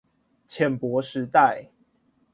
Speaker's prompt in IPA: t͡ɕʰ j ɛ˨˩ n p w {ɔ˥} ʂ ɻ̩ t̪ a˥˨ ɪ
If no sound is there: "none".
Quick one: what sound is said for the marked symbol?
ɔ˨˦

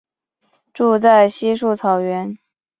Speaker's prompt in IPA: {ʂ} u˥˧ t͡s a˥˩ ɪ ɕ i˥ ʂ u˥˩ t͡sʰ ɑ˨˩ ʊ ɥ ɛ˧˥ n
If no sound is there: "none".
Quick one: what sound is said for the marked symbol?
ʈ͡ʂ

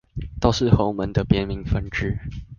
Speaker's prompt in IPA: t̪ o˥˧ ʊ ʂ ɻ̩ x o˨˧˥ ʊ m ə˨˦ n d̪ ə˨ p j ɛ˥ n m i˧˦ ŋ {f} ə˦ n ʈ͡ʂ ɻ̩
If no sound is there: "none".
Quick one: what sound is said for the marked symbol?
f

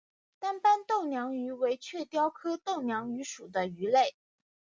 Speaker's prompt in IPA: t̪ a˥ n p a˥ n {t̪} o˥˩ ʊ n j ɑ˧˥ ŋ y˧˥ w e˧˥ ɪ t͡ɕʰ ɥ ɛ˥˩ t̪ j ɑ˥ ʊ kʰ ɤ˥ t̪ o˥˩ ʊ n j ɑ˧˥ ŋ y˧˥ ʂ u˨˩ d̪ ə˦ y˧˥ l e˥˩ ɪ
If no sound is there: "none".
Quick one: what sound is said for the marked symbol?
t̪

